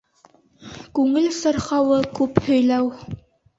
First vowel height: high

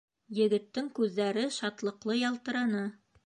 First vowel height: mid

